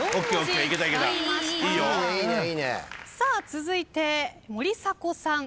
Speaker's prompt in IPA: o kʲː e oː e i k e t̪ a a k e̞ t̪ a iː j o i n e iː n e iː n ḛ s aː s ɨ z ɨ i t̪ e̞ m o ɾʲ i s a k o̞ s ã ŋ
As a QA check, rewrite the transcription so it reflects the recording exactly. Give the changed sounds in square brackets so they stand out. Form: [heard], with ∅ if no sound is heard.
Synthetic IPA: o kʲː e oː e i k e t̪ a [i] k e̞ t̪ a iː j o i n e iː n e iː n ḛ s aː [t͡s] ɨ z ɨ i t̪ e̞ m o ɾʲ i s a k o̞ s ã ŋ